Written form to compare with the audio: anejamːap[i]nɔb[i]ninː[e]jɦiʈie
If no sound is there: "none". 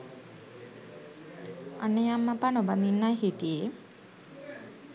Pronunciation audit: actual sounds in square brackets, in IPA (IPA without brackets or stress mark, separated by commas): a, a, a